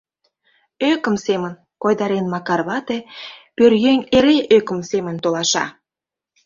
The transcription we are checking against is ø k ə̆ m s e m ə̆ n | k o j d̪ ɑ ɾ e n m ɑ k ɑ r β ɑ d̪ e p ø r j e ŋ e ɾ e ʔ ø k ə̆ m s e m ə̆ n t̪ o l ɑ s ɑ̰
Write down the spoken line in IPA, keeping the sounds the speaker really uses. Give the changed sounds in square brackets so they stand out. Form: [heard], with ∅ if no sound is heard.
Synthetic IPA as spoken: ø k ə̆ m s e m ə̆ n | k o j d̪ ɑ ɾ e n m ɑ k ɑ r β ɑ [t̪] e p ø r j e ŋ e ɾ e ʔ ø k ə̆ m s e m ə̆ n t̪ o l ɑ [ʃ] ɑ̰